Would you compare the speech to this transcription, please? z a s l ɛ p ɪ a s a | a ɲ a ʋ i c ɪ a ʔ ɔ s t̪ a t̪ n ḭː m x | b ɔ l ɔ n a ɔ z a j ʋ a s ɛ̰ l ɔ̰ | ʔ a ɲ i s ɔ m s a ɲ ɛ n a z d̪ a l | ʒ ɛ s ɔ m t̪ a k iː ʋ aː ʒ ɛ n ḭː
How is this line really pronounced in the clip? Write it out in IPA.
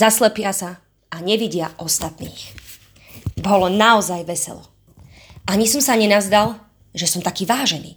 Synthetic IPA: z a s l ɛ p ɪ a s a | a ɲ ɛ ʋ i ɟ ɪ a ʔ ɔ s t̪ a t̪ n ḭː x | b ɔ l ɔ n a ɔ z a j ʋ ɛ s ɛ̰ l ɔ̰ | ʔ a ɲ i s ɔ m s a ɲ ɛ n a z d̪ a l | ʒ ɛ s ɔ m t̪ a k iː ʋ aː ʒ ɛ n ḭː